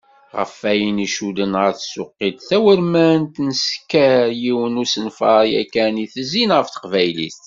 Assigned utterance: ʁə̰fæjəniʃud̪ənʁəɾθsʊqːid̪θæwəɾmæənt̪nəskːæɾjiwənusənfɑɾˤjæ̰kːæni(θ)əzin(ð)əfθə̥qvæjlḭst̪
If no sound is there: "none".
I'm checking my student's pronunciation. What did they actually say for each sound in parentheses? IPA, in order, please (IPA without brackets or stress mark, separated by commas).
θ, ʁ